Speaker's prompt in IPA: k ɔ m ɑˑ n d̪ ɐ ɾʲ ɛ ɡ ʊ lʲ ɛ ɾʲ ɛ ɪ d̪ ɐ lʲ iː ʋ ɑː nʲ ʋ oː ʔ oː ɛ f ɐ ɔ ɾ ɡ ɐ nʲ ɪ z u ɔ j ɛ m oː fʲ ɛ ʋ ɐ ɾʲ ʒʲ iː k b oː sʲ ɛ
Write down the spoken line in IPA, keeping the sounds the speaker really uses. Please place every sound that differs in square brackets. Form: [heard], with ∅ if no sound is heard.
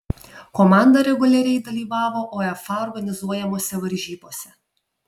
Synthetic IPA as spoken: k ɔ m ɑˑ n d̪ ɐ ɾʲ ɛ ɡ ʊ lʲ ɛ ɾʲ ɛ ɪ d̪ ɐ lʲ iː ʋ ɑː [∅] ʋ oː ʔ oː ɛ f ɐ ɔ ɾ ɡ ɐ nʲ ɪ z u ɔ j ɛ m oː [sʲ] ɛ ʋ ɐ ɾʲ ʒʲ iː [∅] b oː sʲ ɛ